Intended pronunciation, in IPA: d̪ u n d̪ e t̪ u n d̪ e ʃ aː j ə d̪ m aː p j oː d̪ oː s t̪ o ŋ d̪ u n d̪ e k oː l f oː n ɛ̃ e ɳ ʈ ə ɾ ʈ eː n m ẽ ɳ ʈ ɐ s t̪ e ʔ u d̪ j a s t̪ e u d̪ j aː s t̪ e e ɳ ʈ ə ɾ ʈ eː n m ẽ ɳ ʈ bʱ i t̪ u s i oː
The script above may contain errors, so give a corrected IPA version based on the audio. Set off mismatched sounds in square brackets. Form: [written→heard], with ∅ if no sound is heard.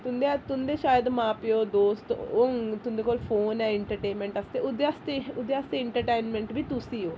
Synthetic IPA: [d̪→t̪] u n d̪ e t̪ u n d̪ e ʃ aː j ə d̪ m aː p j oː d̪ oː s t̪ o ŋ [d̪→t̪] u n d̪ e k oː l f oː n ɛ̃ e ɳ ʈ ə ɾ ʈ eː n m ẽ ɳ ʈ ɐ s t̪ e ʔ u d̪ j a s t̪ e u d̪ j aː s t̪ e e ɳ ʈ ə ɾ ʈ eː n m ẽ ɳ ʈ bʱ i t̪ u s i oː